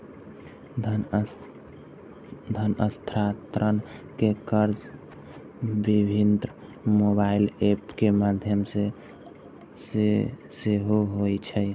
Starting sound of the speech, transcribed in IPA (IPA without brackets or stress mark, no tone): d̪ʱ